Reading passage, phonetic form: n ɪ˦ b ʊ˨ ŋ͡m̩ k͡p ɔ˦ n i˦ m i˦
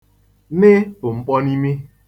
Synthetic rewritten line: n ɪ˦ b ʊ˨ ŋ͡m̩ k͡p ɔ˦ n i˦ m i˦